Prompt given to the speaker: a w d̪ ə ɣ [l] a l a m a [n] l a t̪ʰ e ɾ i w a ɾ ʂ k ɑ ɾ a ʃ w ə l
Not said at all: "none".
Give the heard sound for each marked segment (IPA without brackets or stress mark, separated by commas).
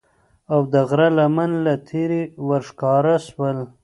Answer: ɾ, n